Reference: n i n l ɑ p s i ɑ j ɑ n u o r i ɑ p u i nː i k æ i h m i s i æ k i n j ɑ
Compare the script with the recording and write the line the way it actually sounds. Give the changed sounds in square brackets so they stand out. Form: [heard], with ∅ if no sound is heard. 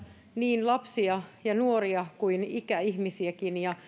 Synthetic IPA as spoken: n [iː] n l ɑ p s i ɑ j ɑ n u o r i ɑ [k] u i [n] i k æ i h m i s i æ k i n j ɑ